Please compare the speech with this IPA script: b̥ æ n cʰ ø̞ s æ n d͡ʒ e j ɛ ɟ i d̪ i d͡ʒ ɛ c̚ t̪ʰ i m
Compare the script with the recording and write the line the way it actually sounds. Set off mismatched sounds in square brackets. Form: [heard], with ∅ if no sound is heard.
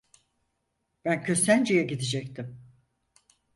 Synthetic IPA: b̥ æ n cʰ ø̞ s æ n d͡ʒ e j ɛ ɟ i d̪ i d͡ʒ ɛ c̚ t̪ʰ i m